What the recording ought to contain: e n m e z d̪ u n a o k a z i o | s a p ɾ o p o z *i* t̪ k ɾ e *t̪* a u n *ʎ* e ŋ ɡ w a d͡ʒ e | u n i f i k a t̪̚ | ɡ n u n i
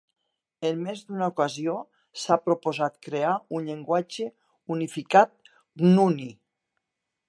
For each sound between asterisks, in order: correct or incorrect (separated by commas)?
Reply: incorrect, incorrect, correct